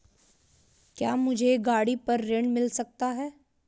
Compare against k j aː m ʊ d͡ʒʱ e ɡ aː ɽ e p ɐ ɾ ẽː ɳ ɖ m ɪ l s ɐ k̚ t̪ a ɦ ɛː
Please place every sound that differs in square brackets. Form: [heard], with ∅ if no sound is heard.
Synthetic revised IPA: k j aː m ʊ d͡ʒʱ e ɡ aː ɽ [i] p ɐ [ɾː] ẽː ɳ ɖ m ɪ l s ɐ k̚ t̪ a ɦ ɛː